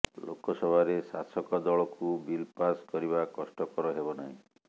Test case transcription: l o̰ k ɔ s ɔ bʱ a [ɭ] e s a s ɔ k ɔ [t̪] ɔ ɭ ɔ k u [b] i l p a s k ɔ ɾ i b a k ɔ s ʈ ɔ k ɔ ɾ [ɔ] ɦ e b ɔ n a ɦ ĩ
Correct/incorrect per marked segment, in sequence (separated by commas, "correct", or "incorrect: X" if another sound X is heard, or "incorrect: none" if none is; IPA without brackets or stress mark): incorrect: ɾ, incorrect: d̪, correct, correct